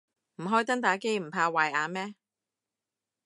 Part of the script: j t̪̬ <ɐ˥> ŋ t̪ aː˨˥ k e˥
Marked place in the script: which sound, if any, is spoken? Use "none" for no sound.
ɐ˥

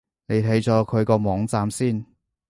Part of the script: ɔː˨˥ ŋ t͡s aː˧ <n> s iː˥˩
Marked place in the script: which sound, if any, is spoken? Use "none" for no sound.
m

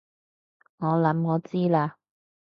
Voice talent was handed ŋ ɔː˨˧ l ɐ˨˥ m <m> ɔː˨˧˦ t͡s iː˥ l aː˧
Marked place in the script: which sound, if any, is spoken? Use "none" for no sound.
ŋ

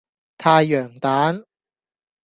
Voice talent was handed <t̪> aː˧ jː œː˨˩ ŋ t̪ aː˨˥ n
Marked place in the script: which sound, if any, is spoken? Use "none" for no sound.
t̪ʰ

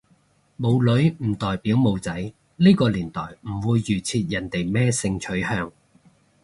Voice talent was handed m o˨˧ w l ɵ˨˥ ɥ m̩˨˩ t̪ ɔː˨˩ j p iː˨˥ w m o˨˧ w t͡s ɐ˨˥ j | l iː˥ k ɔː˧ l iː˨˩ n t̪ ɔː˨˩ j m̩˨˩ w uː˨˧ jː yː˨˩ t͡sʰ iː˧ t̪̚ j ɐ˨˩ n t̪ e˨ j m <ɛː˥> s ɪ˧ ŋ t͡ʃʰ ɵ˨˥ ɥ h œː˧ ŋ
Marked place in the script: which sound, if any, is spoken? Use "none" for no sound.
ɛː˥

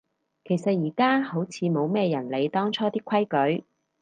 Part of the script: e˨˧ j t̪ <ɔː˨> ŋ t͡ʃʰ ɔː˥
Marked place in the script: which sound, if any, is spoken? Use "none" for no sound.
ɔː˥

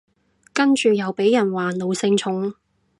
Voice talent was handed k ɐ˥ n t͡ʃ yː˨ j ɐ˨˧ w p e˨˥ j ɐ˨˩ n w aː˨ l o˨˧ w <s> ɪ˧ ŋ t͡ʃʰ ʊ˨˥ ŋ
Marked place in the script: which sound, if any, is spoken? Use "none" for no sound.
s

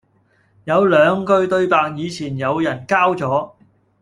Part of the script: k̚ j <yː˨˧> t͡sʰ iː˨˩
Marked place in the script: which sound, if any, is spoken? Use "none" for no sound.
iː˨˧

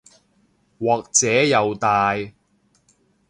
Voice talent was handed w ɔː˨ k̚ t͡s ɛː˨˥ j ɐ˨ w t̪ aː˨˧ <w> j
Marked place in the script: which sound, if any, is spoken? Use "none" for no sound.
none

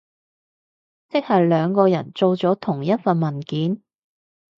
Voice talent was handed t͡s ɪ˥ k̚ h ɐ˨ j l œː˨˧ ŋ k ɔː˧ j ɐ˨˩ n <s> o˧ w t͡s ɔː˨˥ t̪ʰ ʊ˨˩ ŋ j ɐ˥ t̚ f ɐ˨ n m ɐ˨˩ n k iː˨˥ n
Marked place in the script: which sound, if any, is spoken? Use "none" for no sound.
t͡s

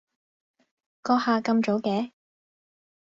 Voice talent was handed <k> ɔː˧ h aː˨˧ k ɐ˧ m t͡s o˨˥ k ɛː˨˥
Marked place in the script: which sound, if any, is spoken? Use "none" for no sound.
k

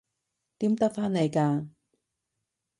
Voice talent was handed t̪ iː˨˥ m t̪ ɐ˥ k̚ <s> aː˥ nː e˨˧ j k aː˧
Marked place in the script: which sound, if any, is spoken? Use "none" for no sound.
f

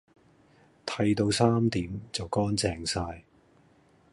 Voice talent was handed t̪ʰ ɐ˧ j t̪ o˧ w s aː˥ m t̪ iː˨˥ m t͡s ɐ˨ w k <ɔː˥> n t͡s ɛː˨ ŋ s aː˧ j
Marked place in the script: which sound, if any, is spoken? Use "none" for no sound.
ɔː˥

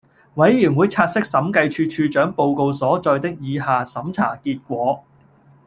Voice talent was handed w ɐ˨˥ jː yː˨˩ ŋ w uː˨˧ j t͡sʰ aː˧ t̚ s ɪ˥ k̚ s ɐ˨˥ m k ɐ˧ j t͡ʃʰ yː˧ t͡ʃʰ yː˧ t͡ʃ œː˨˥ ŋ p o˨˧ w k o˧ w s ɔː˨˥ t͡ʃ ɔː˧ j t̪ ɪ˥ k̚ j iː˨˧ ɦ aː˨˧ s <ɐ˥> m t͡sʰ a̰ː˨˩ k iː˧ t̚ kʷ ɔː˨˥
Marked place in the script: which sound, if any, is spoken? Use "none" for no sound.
ɐ˨˥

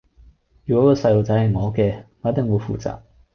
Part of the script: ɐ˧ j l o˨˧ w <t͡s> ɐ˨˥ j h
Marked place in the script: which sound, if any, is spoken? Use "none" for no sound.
t͡s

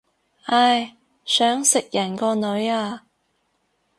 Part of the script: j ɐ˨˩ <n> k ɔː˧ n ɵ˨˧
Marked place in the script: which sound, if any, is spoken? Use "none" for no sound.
n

